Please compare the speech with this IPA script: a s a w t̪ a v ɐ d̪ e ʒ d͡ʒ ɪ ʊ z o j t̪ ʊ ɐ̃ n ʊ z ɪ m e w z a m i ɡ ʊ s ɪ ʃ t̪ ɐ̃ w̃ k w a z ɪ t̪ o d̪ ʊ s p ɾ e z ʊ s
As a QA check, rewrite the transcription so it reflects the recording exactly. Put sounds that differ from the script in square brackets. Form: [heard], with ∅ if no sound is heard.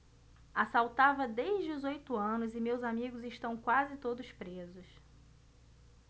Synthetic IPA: a s a w t̪ a v ɐ d̪ e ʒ d͡ʒ ɪ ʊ z o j t̪ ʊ ɐ̃ n ʊ z ɪ m e w z a m i ɡ ʊ [z] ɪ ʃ t̪ ɐ̃ w̃ k w a z ɪ t̪ o d̪ ʊ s p ɾ e z ʊ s